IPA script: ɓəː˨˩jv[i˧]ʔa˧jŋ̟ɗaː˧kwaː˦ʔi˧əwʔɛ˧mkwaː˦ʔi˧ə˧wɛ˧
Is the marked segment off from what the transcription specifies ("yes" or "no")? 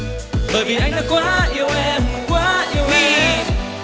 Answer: yes